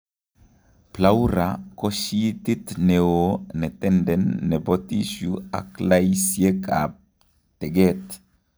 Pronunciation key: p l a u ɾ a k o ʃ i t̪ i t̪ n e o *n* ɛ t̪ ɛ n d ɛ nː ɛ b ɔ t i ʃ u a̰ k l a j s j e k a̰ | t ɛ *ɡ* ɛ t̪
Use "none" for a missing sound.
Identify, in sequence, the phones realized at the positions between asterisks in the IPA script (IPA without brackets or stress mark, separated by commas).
n, ɡ